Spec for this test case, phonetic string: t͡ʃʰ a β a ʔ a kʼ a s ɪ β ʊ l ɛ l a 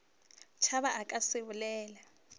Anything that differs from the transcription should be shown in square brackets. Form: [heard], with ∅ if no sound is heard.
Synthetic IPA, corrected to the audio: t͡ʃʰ a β a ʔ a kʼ a s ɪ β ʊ l [ɛː] l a

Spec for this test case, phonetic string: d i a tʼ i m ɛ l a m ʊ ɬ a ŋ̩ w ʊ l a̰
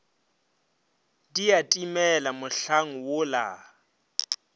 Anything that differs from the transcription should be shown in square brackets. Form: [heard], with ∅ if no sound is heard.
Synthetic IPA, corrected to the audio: d i a tʼ i m ɛ l a m ʊ ɬ a ŋ̩ w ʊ l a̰

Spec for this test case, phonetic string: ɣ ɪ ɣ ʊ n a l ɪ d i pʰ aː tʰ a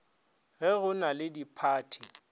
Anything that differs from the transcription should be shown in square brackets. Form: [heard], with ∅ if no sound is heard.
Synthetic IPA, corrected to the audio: ɣ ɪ ɣ ʊ n a l ɪ d i pʰ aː tʰ [i]

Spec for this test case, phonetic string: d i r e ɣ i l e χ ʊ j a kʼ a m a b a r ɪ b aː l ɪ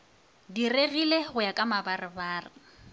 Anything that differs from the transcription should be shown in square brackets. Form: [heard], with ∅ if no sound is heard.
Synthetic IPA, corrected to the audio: d i r e ɣ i l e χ ʊ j a kʼ a m a b a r ɪ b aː [r] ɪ

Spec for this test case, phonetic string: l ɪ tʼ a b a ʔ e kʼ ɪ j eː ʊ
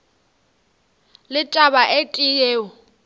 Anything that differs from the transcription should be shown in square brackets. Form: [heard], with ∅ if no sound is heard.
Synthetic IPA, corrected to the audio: l ɪ tʼ a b a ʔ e [tʼ] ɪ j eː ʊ

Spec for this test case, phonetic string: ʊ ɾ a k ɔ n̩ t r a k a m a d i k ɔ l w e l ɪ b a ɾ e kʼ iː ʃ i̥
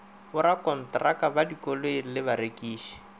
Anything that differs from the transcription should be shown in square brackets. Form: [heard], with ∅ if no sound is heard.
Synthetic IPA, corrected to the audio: ʊ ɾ a k ɔ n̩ t r a k a [b] a d i k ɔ l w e l ɪ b a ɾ e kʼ iː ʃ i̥

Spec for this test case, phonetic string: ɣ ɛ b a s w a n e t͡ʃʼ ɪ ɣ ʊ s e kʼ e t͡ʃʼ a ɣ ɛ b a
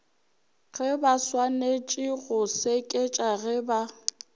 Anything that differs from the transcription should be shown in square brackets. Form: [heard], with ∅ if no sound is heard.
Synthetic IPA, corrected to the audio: ɣ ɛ b a s w a n e t͡ʃʼ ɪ ɣ ʊ s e kʼ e t͡ʃʼ a ɣ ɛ b a

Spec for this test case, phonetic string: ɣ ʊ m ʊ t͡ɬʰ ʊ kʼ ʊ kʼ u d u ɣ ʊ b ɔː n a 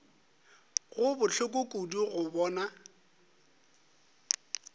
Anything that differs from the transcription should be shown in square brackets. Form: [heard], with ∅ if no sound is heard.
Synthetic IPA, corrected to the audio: ɣ ʊ [b] ʊ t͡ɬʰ ʊ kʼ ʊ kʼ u d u ɣ ʊ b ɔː n a

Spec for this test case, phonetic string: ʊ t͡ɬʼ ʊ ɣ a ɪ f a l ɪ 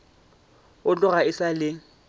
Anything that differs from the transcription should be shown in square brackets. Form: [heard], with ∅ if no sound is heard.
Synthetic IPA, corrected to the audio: ʊ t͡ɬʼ ʊ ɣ a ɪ [s] a l ɪ

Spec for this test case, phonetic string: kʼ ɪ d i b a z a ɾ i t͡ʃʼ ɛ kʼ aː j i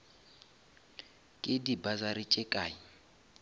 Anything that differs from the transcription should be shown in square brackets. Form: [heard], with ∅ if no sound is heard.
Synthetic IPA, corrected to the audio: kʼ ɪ d i b a z a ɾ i t͡ʃʼ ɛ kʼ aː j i

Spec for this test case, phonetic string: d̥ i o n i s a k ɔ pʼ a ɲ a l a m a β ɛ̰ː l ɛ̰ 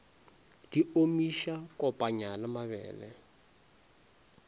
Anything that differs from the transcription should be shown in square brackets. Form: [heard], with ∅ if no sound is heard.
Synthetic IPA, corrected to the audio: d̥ i o [m] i [ʃ] a k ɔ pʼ a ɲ a l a m a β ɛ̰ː l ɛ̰

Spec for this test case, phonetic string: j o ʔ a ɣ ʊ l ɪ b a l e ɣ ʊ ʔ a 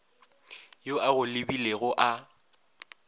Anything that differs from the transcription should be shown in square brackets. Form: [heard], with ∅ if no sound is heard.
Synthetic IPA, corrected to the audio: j o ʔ a ɣ ʊ l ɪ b [i] l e ɣ ʊ ʔ a

